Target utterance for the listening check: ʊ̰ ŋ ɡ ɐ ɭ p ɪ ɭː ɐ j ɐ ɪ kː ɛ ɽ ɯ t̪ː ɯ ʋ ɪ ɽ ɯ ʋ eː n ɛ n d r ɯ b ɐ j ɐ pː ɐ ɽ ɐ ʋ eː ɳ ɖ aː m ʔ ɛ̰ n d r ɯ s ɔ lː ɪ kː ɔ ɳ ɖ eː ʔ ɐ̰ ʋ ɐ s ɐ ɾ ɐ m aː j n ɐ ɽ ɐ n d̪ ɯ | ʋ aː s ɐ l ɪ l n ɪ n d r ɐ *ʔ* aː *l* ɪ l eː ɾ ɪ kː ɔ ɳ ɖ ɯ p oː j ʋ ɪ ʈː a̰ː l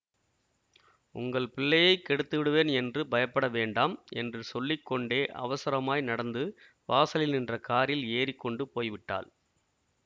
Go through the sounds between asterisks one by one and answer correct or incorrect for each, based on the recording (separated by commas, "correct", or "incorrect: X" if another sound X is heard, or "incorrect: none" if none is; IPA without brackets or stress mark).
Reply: incorrect: k, incorrect: ɾ